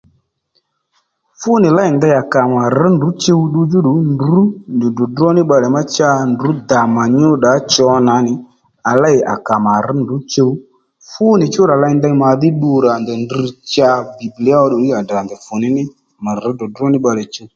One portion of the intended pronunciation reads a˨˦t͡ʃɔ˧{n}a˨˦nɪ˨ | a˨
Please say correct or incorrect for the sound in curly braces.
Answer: correct